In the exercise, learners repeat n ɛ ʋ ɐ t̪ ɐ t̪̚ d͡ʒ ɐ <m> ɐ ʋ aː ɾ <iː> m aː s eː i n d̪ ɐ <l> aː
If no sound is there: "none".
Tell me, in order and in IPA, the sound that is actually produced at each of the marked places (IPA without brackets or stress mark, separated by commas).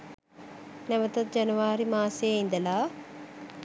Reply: n, i, l